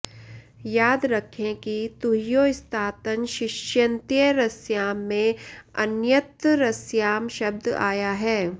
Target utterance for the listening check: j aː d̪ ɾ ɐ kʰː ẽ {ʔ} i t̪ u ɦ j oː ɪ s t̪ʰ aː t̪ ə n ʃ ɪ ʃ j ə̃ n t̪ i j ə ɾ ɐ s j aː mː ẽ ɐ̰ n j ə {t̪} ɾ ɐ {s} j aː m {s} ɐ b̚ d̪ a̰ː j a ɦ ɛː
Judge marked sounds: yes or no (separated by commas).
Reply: no, yes, yes, no